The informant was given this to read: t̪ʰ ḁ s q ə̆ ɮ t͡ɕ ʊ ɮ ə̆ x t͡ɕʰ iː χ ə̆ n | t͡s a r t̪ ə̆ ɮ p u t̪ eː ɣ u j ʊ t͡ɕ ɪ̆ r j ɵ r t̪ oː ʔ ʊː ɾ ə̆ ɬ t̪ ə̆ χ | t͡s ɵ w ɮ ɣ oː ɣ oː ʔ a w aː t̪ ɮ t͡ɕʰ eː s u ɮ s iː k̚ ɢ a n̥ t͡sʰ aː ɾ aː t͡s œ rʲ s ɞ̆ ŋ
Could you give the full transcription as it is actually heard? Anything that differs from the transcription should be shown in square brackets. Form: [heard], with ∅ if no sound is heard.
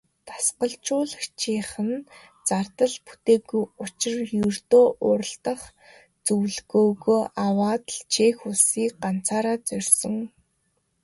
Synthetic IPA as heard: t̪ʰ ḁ s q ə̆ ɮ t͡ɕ [ʊː] ɮ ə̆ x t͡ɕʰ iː χ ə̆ n | t͡s a r t̪ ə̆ ɮ p u t̪ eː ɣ u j ʊ t͡ɕ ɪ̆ r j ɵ r t̪ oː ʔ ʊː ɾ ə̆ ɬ t̪ ə̆ χ | t͡s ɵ w ɮ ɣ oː ɣ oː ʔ a w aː t̪ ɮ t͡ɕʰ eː [x] u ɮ s iː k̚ ɢ a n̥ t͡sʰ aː ɾ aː t͡s œ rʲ s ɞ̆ ŋ